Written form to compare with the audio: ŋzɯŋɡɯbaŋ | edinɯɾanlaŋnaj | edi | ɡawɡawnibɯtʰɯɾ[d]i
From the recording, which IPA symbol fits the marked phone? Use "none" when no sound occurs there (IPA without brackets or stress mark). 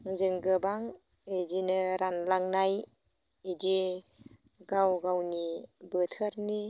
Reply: n